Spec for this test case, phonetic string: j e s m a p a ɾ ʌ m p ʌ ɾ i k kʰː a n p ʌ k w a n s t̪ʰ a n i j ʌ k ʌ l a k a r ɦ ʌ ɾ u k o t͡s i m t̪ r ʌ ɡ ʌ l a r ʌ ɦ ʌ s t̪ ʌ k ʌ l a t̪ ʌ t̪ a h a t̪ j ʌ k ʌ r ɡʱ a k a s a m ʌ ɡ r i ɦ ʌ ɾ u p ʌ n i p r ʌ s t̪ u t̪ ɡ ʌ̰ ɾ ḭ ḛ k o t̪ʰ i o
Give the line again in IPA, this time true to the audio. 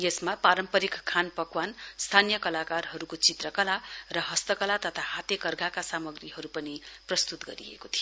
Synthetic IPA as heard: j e s m a p a ɾ ʌ m p ʌ ɾ i k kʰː a n p ʌ k w a n s t̪ʰ a n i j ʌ k ʌ l a k a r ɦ ʌ ɾ u k o t͡s i t̪ r ʌ k ʌ l a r ʌ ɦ ʌ s t̪ ʌ k ʌ l a t̪ ʌ t̪ʰ a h a t̪ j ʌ k ʌ r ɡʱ a k a s a m ʌ ɡ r i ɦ ʌ ɾ u p ʌ n i p r ʌ s t̪ u t̪ ɡ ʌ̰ ɾ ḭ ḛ k o t̪ʰ i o